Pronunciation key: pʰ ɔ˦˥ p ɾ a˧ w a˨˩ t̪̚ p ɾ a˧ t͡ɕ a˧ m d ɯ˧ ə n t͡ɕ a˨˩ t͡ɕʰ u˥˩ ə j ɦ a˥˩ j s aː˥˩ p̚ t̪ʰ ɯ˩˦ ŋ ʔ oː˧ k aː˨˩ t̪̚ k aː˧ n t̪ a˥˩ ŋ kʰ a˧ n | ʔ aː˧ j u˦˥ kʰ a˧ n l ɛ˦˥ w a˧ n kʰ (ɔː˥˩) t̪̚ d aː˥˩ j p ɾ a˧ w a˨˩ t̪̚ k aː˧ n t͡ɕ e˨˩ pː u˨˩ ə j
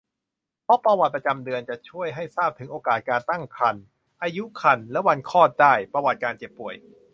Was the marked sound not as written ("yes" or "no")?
no